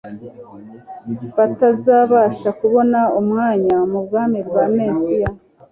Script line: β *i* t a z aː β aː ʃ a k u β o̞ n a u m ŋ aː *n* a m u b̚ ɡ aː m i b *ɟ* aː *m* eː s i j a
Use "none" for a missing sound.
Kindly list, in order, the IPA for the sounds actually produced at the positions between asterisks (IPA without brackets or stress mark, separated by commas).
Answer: a, ɲ, ɡ, m